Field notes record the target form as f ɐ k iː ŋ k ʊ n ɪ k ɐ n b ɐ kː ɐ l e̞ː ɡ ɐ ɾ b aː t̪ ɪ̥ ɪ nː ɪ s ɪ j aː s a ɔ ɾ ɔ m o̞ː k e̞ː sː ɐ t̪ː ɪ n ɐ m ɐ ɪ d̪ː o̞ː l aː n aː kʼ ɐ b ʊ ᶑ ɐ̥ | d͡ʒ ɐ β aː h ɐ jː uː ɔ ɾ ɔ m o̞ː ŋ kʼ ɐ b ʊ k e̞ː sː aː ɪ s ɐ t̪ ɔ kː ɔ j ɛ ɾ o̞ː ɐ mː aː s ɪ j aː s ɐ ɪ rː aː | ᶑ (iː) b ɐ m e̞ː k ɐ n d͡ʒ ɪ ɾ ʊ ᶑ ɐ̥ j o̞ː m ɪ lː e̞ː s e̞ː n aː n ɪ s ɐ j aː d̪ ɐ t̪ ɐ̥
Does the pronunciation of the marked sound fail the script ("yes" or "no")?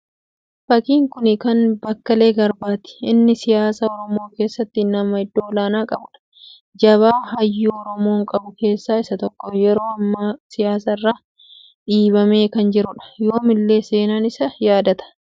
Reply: no